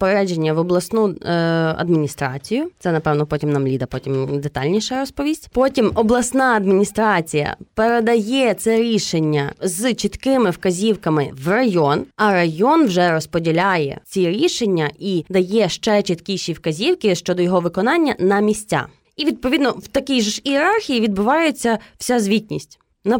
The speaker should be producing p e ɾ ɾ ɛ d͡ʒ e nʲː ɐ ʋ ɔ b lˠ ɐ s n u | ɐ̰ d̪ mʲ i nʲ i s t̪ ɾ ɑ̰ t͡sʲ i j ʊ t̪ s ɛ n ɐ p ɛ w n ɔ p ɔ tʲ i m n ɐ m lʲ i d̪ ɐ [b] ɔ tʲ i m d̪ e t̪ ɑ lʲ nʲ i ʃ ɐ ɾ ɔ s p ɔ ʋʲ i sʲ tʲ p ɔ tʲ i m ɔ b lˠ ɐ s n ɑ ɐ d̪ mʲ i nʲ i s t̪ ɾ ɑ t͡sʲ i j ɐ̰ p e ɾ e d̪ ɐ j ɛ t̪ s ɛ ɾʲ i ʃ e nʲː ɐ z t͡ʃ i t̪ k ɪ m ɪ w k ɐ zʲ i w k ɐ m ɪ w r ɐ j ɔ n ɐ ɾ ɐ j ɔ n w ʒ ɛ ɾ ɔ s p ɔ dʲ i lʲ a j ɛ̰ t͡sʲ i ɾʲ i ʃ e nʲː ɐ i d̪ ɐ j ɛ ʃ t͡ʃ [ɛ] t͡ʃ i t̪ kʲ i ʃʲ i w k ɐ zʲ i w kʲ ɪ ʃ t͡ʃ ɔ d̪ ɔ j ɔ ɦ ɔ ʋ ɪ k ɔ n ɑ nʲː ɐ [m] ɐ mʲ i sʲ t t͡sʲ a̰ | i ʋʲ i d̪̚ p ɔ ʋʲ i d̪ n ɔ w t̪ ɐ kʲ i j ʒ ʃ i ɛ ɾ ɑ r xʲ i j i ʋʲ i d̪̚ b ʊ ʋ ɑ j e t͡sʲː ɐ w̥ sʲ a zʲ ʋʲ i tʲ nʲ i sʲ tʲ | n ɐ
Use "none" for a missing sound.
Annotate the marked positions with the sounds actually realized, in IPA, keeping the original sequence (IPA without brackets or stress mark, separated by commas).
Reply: p, ɛ, n